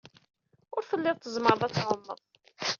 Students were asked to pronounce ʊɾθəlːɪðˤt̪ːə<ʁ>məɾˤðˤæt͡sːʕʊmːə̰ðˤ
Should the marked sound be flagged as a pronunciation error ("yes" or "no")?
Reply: yes